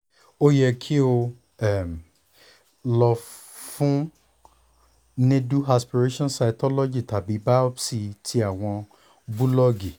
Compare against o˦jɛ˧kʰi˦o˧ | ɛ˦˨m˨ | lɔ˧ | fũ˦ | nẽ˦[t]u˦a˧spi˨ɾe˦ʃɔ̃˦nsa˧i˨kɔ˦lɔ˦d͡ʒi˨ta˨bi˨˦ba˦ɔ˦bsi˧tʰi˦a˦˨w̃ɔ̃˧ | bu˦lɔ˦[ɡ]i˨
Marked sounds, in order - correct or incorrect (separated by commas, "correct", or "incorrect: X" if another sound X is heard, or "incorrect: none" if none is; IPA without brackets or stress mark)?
incorrect: d, correct